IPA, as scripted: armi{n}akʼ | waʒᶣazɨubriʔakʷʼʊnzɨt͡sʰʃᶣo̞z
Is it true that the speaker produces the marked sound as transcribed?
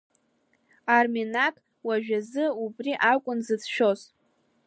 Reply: yes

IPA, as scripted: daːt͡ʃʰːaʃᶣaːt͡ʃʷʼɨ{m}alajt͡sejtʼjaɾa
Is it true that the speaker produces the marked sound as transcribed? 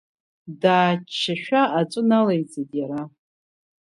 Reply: no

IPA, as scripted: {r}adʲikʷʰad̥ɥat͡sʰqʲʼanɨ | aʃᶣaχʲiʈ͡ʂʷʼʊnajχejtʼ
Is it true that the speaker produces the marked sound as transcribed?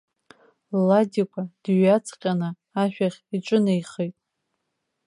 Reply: no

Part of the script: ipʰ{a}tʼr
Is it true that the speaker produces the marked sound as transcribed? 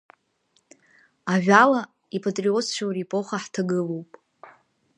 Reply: yes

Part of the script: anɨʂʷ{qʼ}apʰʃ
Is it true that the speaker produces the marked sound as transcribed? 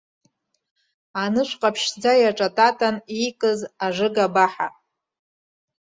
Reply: yes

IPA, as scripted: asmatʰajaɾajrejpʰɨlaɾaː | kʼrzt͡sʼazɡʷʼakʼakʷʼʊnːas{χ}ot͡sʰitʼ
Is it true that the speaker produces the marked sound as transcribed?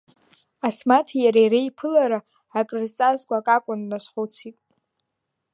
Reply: yes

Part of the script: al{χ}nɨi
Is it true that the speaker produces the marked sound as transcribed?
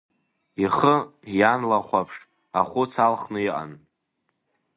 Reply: yes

